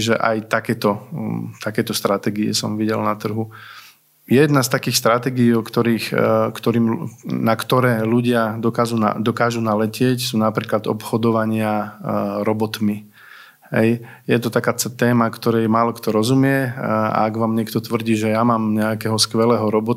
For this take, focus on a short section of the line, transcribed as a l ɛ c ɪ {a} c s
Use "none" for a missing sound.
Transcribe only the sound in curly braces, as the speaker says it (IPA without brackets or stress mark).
ɛ